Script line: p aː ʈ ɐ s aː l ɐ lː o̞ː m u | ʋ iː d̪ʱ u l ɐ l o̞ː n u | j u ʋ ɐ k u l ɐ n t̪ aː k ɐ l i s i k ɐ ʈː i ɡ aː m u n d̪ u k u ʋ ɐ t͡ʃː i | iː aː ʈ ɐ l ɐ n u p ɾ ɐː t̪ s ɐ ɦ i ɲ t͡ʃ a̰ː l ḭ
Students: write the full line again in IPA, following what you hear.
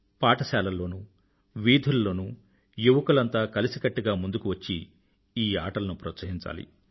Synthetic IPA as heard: p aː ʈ ɐ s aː l ɐ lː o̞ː n u | ʋ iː d̪ʱ u l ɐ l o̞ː n u | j u ʋ ɐ k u l ɐ n t̪ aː k ɐ l i s i k ɐ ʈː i ɡ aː m u n d̪ u k u ʋ ɐ t͡ʃː i | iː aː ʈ ɐ l ɐ n u p ɾ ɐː t̪ s ɐ ɦ i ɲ t͡ʃ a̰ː l ḭ